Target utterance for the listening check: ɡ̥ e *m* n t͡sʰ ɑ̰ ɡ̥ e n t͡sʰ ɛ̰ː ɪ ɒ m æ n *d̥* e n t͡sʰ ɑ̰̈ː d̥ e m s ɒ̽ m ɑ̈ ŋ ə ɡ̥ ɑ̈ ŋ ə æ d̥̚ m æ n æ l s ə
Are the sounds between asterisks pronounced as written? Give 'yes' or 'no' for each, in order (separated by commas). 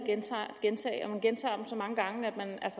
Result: no, no